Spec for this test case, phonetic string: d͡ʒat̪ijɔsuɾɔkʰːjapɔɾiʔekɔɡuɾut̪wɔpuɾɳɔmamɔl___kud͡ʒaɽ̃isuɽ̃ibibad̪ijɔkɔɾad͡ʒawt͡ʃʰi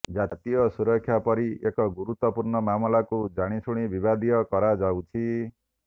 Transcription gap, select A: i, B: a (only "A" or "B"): B